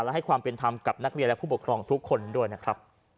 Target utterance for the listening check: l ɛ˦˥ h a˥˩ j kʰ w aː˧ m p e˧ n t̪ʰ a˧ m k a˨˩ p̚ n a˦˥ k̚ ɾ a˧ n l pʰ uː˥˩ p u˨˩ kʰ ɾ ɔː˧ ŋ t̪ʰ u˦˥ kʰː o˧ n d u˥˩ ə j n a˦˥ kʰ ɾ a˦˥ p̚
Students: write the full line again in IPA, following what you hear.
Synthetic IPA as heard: l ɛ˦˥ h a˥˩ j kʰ w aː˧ m p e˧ n t̪ʰ a˧ m k a˨˩ p̚ n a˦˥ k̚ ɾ i˧ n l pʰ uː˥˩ p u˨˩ kʰ ɾ ɔː˧ ŋ t̪ʰ u˦˥ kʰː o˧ n d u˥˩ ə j n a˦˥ kʰ ɾ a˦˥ p̚